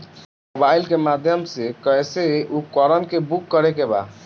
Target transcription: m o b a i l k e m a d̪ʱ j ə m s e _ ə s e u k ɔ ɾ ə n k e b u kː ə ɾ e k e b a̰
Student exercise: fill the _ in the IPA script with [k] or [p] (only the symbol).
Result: k